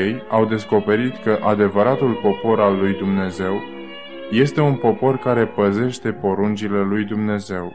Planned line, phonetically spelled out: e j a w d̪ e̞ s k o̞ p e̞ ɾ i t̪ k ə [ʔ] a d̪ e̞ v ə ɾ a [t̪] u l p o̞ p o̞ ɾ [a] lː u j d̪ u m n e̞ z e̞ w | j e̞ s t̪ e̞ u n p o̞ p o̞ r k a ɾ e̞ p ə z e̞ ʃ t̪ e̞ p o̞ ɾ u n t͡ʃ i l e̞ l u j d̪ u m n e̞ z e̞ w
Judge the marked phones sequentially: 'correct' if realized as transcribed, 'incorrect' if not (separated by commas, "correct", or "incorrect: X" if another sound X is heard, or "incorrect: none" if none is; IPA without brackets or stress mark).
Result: correct, correct, correct